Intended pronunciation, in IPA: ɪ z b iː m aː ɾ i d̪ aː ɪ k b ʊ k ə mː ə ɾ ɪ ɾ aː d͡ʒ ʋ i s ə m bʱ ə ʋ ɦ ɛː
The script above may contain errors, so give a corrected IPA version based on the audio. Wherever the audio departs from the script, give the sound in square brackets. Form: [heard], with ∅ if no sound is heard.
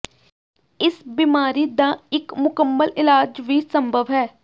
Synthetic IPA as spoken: ɪ [s] b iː m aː ɾ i d̪ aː ɪ k [m] ʊ k ə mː ə [l] ɪ [l] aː d͡ʒ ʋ i s ə m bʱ ə ʋ ɦ ɛː